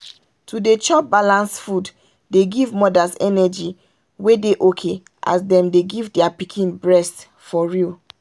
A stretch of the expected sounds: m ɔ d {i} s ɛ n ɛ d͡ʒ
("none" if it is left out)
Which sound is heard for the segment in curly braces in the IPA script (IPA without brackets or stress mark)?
a